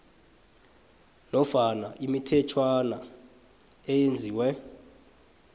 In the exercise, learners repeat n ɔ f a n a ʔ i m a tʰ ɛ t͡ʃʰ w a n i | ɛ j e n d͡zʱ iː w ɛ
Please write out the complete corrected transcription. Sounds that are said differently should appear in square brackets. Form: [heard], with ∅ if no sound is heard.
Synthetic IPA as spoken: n ɔ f a n a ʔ i m [i] tʰ ɛ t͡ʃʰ w a n [a] | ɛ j e n d͡zʱ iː w ɛ

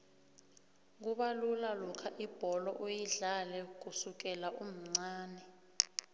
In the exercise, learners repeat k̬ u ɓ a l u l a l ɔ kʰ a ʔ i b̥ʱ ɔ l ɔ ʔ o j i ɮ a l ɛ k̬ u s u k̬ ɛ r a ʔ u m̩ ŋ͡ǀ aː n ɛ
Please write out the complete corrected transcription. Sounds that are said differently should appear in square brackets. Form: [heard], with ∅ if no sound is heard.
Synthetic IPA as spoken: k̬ u ɓ a l u l a l ɔ kʰ a ʔ i b̥ʱ ɔ l ɔ ʔ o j i ɮ a l ɛ k̬ u s u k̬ ɛ [l] a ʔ u m̩ ŋ͡ǀ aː n ɛ

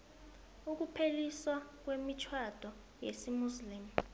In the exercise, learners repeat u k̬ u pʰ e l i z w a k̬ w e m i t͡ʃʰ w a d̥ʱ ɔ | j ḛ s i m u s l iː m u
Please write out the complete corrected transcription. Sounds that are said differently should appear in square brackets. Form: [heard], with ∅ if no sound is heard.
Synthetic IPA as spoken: u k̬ u pʰ e l i [s] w a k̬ w e m i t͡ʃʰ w a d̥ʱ ɔ | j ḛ s i m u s l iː m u

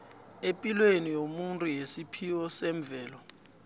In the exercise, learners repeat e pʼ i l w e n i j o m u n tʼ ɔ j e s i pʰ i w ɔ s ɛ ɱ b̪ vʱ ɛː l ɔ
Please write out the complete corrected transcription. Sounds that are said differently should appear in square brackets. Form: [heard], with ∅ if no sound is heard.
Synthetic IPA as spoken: e pʼ i l w e n i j o m u n tʼ [u] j e s i pʰ i w ɔ s ɛ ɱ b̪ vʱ ɛː l ɔ

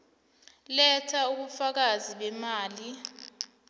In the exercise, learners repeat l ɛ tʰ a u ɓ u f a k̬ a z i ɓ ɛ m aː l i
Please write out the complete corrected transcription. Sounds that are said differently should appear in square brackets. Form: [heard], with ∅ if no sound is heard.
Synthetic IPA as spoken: l ɛ tʰ a u ɓ u f a k̬ a z i ɓ ɛ m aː l i

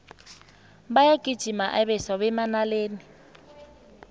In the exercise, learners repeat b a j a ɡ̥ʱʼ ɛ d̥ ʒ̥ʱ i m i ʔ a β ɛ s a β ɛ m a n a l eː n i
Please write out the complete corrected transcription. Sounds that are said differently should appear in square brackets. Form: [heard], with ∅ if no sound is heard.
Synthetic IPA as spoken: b a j a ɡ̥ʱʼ [i] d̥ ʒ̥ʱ i m [a] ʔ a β ɛ s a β ɛ m a n a l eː n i

